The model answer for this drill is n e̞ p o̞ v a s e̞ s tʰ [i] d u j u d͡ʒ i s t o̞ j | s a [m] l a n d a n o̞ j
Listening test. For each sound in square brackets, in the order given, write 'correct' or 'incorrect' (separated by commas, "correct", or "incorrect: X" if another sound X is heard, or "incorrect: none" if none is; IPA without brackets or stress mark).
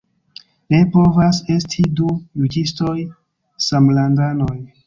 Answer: correct, correct